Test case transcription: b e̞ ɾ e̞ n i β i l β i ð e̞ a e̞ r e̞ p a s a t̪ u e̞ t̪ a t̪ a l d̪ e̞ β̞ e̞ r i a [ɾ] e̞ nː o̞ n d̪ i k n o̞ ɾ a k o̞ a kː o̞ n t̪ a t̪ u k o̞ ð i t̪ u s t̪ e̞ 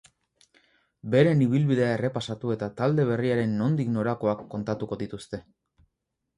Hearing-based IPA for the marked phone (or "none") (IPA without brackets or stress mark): ɾ